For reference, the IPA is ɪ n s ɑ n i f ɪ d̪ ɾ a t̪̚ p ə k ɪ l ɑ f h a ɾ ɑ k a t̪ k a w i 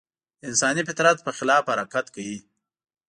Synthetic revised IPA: ɪ n s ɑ n i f ɪ t̪ ɾ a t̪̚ p ə x ɪ l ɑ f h a ɾ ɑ k a t̪ k a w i